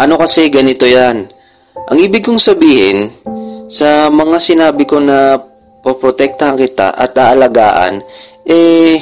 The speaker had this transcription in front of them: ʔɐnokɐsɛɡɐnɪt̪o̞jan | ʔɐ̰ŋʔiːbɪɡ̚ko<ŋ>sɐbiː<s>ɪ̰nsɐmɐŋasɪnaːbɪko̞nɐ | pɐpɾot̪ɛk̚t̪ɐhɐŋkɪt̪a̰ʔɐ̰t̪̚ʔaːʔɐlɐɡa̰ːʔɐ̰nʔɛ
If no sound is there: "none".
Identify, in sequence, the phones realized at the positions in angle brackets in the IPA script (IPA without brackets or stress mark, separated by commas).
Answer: ŋ, h